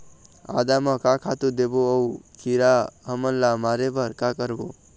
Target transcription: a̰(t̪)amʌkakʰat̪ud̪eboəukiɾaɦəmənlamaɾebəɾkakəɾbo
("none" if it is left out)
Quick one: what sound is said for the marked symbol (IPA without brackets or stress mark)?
d̪